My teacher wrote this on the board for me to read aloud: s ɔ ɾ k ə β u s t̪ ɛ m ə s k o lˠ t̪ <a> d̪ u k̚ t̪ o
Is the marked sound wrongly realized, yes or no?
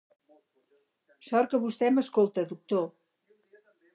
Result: yes